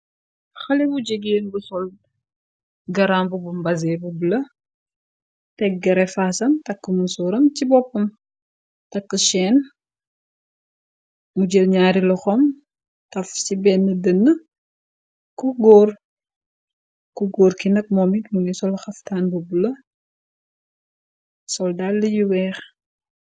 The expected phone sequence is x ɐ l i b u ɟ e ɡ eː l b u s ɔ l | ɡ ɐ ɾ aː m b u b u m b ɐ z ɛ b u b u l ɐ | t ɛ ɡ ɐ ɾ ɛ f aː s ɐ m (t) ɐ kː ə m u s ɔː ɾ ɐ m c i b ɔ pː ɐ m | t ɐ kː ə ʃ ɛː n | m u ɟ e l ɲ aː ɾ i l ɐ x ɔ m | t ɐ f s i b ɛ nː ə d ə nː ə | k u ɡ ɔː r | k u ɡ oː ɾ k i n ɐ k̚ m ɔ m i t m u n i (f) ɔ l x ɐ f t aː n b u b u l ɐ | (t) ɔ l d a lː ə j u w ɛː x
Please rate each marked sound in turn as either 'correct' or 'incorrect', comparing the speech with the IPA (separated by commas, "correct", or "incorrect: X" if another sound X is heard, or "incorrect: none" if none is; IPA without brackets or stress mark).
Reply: correct, incorrect: s, incorrect: s